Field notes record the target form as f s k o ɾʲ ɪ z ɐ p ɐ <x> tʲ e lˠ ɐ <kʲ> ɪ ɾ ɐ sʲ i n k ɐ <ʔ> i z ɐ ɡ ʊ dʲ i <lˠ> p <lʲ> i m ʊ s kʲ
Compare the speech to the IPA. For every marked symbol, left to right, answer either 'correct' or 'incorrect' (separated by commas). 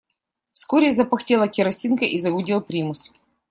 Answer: correct, correct, correct, correct, incorrect